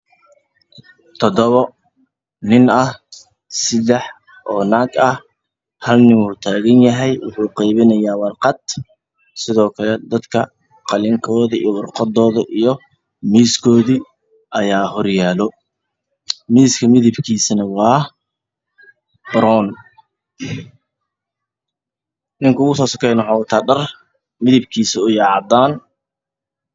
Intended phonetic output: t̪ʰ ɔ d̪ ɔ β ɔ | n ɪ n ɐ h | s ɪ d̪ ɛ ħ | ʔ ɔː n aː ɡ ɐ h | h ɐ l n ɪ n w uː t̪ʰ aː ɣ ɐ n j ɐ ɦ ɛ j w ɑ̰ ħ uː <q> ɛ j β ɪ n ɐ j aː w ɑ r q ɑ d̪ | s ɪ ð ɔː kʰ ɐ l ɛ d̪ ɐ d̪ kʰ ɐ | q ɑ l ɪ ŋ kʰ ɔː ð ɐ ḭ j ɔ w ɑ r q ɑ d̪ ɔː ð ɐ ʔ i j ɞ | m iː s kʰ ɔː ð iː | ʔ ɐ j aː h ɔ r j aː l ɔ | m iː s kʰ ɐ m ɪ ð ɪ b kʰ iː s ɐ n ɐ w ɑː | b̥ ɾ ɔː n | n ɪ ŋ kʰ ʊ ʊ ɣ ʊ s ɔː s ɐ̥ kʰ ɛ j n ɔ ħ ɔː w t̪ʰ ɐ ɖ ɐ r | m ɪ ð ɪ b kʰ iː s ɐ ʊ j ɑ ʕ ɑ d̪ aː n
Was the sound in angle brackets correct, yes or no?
yes